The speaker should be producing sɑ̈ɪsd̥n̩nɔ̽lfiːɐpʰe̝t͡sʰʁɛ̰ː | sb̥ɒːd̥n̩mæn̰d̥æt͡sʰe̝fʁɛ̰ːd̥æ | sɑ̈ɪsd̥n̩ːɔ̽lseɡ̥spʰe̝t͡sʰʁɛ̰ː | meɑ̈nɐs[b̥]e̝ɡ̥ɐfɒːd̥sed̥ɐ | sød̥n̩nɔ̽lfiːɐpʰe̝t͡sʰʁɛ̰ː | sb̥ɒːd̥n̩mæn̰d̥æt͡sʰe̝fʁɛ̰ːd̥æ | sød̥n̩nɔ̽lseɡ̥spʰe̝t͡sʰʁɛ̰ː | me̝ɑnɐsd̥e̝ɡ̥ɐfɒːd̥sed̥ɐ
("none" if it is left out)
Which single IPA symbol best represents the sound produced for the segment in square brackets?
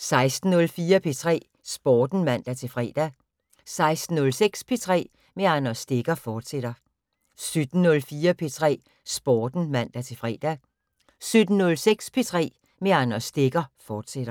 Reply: d̥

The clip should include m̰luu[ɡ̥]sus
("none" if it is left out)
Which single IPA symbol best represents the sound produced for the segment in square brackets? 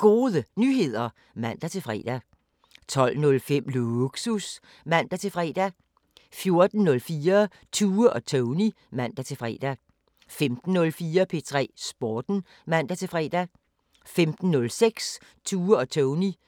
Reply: ɡ̥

